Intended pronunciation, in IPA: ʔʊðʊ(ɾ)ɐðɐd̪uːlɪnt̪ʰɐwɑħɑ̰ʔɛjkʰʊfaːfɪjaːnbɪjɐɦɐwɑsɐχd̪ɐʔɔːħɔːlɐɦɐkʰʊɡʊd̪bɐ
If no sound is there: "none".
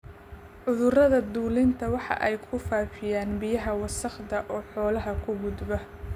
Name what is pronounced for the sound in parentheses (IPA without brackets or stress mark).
r